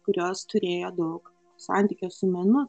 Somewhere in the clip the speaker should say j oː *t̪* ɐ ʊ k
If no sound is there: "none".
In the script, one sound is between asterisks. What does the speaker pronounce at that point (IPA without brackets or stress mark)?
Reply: d̪